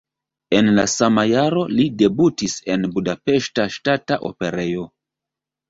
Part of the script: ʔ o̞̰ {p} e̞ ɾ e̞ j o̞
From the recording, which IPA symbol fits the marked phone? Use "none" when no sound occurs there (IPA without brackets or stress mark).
p